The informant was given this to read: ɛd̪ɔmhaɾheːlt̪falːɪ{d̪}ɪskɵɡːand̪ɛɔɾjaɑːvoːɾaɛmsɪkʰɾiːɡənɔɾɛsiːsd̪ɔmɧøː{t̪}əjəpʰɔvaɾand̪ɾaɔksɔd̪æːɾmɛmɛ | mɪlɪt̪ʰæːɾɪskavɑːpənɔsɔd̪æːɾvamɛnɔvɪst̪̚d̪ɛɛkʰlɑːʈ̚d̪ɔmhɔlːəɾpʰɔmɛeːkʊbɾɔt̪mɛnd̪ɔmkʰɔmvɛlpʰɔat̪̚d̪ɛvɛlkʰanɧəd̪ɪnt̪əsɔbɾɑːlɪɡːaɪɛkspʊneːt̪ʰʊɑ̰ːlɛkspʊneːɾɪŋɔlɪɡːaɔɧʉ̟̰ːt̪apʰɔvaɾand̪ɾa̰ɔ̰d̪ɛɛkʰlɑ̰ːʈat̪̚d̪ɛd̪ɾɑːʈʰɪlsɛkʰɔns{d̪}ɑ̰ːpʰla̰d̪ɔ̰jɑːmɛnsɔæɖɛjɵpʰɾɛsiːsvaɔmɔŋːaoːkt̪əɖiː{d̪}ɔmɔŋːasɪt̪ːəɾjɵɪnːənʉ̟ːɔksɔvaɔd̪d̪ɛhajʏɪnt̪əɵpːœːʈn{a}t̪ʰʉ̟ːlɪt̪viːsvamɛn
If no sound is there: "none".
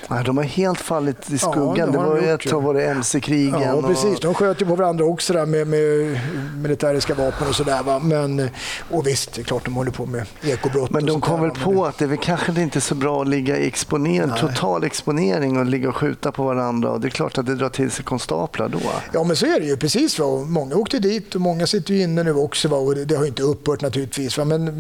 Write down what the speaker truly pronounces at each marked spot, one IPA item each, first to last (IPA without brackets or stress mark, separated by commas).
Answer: t̪, t̪, t̪, t̪, a